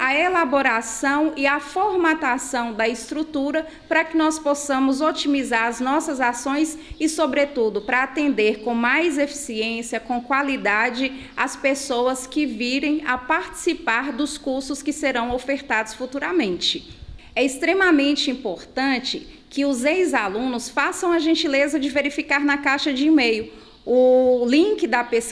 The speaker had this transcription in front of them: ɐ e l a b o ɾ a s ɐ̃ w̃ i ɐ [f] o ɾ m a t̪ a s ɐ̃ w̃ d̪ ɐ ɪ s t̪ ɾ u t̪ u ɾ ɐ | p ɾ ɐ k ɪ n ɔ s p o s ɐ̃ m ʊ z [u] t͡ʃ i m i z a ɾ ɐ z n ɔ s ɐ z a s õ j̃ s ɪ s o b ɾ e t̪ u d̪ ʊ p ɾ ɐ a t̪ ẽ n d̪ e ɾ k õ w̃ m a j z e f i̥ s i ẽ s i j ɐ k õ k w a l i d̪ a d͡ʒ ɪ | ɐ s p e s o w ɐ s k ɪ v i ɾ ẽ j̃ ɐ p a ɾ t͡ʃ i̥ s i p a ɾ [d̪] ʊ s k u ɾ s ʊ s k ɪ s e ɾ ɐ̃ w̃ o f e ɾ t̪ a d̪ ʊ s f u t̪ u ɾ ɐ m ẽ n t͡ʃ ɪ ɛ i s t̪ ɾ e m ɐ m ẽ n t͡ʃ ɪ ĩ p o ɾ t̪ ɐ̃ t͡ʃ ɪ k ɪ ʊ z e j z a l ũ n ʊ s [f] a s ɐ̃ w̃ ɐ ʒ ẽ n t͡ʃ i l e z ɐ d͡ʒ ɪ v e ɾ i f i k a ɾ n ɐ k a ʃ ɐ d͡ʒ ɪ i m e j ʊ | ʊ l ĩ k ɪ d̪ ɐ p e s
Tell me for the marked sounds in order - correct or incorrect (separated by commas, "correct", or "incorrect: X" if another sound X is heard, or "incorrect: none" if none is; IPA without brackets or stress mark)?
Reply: correct, incorrect: o, correct, correct